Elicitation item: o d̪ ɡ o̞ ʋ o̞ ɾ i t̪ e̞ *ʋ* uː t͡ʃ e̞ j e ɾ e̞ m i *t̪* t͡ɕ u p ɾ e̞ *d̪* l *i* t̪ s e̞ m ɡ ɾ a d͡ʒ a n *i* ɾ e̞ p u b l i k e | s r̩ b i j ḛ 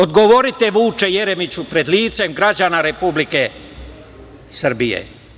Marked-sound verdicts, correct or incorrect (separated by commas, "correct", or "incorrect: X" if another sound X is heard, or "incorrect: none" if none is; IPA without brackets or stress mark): correct, incorrect: none, correct, incorrect: iː, incorrect: a